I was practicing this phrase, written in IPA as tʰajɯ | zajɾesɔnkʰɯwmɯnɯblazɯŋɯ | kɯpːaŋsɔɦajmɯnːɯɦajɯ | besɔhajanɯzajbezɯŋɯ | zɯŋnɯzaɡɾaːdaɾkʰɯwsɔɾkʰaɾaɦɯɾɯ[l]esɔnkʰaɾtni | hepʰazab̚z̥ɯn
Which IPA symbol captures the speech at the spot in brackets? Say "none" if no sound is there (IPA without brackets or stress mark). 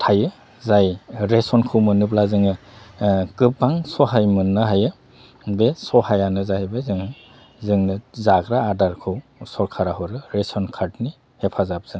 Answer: ɾ